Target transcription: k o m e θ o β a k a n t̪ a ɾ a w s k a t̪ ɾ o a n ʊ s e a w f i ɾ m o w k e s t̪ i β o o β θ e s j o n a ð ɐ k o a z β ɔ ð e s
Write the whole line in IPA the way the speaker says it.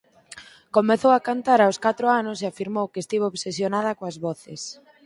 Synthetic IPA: k o m e θ o w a k a n t̪ a ɾ a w s k a t̪ ɾ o a n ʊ s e a f i ɾ m o w k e s t̪ i β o o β s e s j o n a ð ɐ k o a z β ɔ θ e s